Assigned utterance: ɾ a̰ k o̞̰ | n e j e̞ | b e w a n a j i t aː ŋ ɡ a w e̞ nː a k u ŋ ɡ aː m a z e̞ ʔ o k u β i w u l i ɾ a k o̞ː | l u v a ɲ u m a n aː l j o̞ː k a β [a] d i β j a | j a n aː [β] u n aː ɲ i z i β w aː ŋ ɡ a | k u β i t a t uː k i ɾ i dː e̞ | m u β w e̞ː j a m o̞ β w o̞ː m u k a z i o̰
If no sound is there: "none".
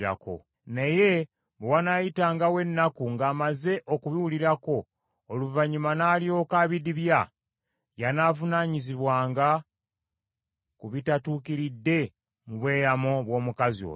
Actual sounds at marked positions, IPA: i, v

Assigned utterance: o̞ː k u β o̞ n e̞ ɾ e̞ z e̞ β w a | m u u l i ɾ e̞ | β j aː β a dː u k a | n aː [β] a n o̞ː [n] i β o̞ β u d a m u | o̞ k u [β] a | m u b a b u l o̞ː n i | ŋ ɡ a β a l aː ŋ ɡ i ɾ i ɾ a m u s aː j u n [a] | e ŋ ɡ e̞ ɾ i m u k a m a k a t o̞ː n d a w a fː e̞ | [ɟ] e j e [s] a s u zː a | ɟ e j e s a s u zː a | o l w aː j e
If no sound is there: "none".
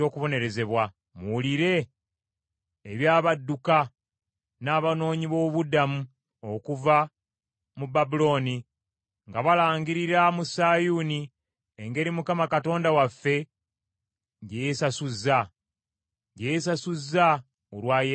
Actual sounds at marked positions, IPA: β, ɲ, v, i, ɟ, s

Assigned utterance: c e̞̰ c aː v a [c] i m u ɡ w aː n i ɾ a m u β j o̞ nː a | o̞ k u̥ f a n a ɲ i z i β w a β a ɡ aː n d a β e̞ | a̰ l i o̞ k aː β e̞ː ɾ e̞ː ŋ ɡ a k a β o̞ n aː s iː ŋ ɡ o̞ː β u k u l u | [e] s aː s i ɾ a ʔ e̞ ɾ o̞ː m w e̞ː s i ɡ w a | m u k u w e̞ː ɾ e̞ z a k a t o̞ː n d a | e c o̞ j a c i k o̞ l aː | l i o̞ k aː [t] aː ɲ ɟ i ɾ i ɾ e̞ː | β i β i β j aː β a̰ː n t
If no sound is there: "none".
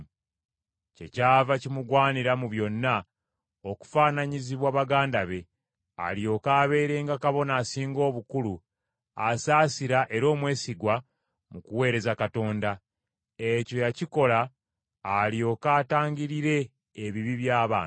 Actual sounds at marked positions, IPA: c, a, t

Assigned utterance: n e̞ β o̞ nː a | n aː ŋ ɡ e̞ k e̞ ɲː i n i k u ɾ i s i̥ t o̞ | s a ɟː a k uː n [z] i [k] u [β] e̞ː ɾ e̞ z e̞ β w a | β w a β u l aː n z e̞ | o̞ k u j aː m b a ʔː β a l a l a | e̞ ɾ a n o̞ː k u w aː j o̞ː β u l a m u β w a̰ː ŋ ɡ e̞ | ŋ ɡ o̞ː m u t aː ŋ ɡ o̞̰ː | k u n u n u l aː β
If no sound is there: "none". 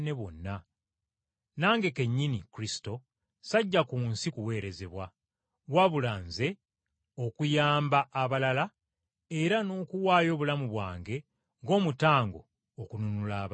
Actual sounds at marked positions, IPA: s, k, w

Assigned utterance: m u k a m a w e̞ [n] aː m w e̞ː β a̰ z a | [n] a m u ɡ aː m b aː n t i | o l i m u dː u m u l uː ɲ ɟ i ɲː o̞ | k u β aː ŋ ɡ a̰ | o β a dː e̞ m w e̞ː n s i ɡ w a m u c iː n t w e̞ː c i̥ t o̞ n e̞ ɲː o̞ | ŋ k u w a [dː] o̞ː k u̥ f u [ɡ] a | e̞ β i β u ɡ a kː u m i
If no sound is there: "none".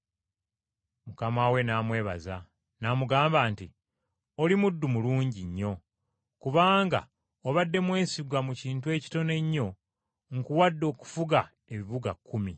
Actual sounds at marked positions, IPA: n, n, dː, ɡ

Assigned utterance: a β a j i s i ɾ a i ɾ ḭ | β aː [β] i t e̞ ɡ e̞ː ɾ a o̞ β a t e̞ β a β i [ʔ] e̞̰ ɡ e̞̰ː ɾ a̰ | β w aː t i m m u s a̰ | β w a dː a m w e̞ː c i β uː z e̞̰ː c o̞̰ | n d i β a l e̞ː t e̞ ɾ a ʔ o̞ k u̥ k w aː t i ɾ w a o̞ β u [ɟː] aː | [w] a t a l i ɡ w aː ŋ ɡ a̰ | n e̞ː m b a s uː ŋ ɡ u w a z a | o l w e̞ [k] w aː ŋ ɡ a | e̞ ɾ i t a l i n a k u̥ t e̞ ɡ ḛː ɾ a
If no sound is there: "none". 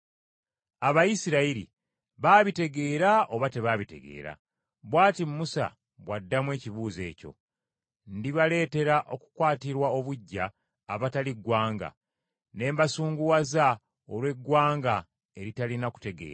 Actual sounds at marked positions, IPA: β, t, ɟː, β, ɡ

